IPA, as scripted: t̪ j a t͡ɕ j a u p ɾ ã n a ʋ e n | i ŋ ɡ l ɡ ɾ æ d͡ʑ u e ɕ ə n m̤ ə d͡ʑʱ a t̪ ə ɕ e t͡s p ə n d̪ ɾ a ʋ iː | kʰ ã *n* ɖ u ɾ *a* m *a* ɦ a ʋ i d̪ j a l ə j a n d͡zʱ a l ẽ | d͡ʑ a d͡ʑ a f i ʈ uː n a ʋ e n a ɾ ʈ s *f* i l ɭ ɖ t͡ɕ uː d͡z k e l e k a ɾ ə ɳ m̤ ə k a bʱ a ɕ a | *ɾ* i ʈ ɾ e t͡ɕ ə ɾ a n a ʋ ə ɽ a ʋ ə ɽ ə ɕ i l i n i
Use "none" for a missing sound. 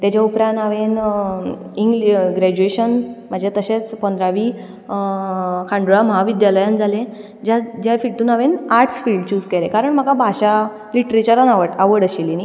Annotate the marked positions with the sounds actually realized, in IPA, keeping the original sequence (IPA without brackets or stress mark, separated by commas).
ɳ, a, ə, f, l